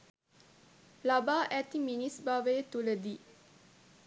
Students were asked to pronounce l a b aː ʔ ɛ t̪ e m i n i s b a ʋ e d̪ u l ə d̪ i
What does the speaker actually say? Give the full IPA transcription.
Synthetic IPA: l a b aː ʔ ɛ t̪ i m i n i s b a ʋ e t̪ u l ə d̪ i